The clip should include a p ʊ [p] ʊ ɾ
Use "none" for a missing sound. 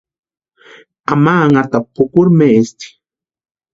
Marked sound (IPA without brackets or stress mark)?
k